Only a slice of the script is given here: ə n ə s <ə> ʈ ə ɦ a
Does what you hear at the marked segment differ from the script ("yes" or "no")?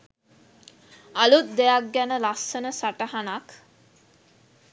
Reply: yes